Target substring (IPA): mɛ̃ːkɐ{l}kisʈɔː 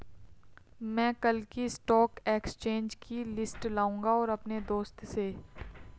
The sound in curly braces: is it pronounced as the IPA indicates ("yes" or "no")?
yes